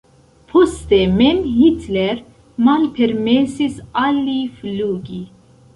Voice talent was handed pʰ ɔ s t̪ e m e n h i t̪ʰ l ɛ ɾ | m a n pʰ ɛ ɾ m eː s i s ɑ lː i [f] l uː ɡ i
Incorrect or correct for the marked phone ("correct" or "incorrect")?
correct